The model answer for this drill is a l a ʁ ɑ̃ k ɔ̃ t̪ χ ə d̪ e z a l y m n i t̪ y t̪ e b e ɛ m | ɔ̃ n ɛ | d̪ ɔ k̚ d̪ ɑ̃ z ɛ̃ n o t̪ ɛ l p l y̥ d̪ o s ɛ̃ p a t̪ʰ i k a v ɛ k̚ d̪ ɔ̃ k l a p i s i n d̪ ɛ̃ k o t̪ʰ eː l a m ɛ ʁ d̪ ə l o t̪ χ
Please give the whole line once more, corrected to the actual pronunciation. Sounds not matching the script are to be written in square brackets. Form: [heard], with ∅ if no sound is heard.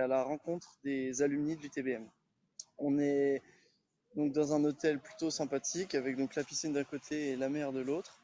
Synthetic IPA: a l a ʁ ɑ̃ k ɔ̃ t̪ χ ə d̪ e z a l y m n i [d̪] y t̪ e b e ɛ m | ɔ̃ n ɛ | d̪ [ɔ̃] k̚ d̪ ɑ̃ z ɛ̃ n o t̪ ɛ l p l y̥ [t̪] o s ɛ̃ p a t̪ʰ i k a v ɛ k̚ d̪ ɔ̃ k l a p i s i n d̪ ɛ̃ k o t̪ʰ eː l a m ɛ ʁ d̪ ə l o t̪ χ